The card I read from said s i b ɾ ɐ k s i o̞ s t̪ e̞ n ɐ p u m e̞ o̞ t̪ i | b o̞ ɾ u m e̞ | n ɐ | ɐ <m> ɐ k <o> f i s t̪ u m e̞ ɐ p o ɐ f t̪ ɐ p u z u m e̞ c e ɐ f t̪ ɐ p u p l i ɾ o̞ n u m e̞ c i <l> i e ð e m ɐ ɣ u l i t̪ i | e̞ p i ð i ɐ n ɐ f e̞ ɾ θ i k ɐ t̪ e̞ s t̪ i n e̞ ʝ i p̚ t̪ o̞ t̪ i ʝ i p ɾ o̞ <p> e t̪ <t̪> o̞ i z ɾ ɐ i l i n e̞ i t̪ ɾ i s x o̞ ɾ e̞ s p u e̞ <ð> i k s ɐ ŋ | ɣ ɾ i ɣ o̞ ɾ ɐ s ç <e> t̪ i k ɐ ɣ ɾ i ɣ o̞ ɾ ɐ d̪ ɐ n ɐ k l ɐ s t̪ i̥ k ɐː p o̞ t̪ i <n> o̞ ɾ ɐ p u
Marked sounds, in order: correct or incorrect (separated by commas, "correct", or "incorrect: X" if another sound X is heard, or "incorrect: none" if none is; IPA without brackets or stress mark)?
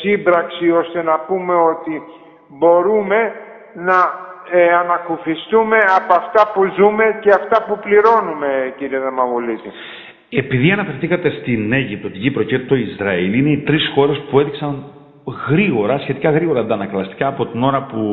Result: incorrect: n, incorrect: u, incorrect: ɾ, incorrect: c, correct, correct, correct, correct